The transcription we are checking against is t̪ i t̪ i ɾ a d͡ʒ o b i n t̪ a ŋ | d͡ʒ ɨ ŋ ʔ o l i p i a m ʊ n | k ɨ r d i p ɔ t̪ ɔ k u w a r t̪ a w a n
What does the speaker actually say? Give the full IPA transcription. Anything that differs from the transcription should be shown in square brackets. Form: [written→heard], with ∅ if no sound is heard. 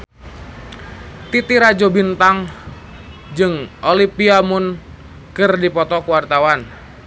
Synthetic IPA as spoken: t̪ i t̪ i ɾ a d͡ʒ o b i n t̪ a ŋ | d͡ʒ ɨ ŋ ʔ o l i p i a m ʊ n | k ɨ r d i p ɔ t̪ ɔ k u w a r t̪ a w a n